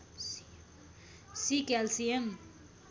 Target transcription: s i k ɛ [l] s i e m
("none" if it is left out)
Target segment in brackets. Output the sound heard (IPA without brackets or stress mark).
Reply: l